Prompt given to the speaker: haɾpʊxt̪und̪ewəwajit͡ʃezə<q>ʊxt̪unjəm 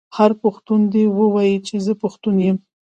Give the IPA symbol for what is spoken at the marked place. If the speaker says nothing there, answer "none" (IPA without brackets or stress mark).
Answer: p